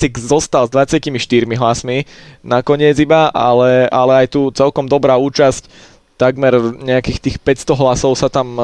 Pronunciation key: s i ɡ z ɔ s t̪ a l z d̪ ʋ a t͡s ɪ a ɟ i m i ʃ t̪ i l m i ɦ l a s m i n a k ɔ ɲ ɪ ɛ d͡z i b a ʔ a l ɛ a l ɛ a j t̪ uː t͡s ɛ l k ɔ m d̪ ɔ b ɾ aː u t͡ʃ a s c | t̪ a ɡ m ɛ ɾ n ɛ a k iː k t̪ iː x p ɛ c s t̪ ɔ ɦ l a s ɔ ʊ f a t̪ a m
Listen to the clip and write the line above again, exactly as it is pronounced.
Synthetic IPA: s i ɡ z ɔ s t̪ a l z d̪ ʋ a t͡s ɪ a c i m i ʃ t̪ i ɾ m i ɦ l a s m i n a k ɔ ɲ ɪ ɛ d͡z i b a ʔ a l ɛ a l ɛ a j t̪ uː t͡s ɛ l k ɔ m d̪ ɔ b ɾ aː uː t͡ʃ a s c | t̪ a ɡ m ɛ ɾ ɲ ɛ a k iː x t̪ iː x p ɛ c s t̪ ɔ ɦ l a s ɔ ʊ s a t̪ a m